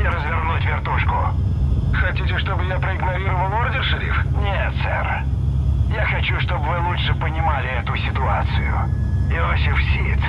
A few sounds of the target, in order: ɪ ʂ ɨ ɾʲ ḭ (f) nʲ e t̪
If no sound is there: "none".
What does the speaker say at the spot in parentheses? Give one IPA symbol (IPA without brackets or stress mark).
f